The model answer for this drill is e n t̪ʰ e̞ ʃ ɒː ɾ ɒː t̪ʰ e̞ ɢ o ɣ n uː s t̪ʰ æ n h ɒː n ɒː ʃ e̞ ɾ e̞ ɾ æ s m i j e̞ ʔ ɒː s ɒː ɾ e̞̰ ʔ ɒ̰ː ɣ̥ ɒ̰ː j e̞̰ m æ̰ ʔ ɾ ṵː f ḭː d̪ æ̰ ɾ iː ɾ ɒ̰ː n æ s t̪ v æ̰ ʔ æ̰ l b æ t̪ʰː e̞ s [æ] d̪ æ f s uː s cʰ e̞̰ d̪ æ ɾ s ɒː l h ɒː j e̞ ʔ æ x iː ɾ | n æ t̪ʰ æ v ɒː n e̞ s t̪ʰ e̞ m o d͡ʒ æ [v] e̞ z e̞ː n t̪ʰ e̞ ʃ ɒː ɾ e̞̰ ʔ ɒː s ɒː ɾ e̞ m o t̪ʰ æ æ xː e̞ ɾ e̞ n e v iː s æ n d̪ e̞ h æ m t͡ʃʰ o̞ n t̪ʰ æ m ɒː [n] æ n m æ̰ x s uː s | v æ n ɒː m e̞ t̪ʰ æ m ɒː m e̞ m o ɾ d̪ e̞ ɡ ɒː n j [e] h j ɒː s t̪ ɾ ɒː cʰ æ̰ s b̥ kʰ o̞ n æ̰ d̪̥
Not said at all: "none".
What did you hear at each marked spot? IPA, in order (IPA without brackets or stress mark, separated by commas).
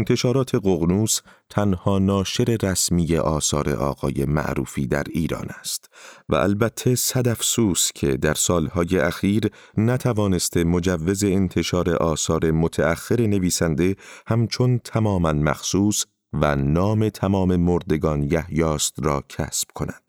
æ, vː, m, æ